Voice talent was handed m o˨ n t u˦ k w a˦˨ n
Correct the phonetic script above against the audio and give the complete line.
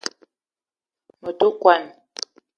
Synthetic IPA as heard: m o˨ t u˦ k w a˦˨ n

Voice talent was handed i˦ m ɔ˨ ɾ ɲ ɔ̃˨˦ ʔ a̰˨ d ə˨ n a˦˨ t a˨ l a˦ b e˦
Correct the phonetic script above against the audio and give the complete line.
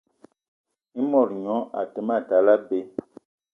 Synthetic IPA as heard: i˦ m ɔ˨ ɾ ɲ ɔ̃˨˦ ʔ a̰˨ t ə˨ m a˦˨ t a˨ l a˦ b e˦

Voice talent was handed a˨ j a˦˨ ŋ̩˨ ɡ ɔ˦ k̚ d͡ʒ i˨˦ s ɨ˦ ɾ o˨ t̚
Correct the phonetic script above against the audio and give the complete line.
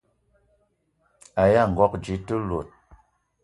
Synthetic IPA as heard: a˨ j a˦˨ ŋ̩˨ ɡ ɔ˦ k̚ d͡ʒ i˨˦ t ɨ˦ l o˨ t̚

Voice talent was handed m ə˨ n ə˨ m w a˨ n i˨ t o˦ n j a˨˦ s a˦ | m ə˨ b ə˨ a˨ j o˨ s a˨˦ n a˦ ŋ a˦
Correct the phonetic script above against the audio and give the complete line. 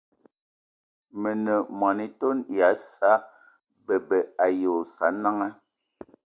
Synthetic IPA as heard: m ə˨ n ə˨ m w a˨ n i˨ t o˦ n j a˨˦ s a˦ | b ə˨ b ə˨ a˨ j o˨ s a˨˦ n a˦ ŋ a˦

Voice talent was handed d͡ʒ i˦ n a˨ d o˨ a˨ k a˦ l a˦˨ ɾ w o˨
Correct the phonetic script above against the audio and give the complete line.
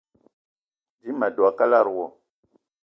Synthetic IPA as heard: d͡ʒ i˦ m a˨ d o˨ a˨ k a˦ l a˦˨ ɾ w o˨

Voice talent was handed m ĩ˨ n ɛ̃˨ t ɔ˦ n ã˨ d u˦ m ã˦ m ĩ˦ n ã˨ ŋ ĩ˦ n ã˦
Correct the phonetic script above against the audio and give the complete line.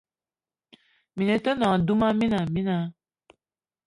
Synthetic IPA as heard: m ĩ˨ n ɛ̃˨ t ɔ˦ n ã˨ d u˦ m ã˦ m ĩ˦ n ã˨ m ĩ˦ n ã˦

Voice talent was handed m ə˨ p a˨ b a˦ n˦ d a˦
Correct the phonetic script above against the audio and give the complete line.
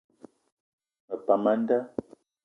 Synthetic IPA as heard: m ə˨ p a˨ m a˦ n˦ d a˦

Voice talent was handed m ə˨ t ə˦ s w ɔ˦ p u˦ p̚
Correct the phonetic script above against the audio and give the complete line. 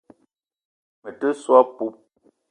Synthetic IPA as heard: m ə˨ t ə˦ s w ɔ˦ p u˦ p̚

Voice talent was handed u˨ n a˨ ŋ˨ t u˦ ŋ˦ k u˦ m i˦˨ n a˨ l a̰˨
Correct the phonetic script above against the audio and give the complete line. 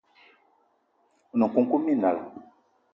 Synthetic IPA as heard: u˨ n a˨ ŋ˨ k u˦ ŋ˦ k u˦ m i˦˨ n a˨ l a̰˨

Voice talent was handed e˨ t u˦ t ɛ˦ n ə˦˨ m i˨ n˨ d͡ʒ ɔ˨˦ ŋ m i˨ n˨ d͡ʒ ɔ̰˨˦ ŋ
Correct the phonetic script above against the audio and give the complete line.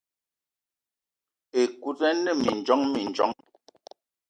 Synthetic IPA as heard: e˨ k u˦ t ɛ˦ n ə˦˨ m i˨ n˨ d͡ʒ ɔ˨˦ ŋ m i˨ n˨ d͡ʒ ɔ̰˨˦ ŋ

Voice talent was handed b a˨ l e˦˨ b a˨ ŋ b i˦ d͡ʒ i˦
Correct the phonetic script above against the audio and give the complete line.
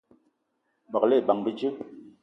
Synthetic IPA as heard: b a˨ l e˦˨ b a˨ ŋ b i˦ d͡ʒ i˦

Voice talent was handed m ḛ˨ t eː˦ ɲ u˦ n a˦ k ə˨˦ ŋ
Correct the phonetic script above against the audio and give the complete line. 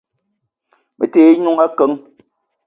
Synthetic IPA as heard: m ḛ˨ t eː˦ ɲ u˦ ŋ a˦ k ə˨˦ ŋ

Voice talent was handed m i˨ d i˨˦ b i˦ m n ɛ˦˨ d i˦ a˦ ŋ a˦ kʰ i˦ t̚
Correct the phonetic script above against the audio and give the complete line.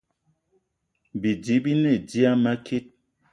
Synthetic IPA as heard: b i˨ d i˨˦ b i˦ n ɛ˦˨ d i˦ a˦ m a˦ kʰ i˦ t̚

